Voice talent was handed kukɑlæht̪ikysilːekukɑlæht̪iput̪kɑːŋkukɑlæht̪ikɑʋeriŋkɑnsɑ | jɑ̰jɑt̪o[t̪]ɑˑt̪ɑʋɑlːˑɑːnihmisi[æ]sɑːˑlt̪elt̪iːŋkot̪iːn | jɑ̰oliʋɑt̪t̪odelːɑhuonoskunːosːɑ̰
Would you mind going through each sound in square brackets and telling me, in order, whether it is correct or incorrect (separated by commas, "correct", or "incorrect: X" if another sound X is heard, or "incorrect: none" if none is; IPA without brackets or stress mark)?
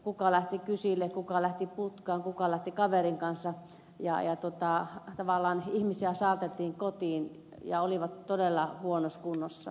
correct, correct